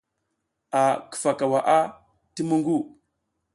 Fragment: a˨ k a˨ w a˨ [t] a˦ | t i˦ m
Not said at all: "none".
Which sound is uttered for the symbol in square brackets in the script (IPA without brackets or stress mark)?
ʔ